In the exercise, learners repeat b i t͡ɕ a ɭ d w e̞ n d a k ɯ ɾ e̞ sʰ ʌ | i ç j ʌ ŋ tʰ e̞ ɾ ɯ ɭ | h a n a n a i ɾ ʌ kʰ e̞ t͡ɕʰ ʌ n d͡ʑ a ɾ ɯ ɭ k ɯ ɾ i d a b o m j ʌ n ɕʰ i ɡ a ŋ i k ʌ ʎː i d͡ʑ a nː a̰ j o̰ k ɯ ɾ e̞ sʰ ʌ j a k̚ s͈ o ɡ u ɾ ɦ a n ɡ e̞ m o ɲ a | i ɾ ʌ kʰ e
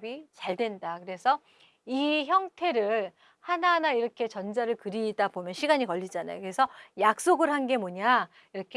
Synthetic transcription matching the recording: b i t͡ɕ a ɭ d w e̞ n d a k ɯ ɾ e̞ sʰ ʌ | i ç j ʌ ŋ tʰ e̞ ɾ ɯ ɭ | h a n a n a i ɾ ʌ kʰ e̞ t͡ɕ ʌ n d͡ʑ a ɾ ɯ ɭ k ɯ ɾ i d a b o m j ʌ n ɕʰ i ɡ a ɲ i k ʌ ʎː i d͡ʑ a n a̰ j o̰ k ɯ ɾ e̞ sʰ ʌ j a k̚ s͈ o ɡ ɯ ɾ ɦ a n ɡ e̞ m o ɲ a | i ɾ ʌ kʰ e